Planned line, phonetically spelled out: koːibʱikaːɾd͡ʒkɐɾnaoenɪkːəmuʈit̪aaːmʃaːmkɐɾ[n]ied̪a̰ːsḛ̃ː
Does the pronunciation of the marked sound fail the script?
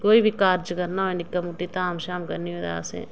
no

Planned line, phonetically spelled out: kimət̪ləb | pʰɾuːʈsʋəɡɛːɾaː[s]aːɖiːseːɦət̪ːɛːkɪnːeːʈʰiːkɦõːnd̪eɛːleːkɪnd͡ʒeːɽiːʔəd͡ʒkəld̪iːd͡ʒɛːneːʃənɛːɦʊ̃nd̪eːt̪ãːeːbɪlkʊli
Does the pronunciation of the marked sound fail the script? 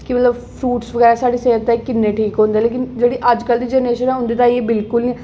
no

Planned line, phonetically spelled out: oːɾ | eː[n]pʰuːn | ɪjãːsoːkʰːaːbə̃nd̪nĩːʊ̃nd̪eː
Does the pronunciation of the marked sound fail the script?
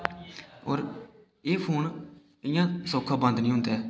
yes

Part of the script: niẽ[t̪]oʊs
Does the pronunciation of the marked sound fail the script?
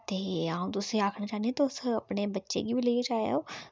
no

